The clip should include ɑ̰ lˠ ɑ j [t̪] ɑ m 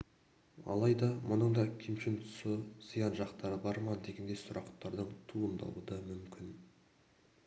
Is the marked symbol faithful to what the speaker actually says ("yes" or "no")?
no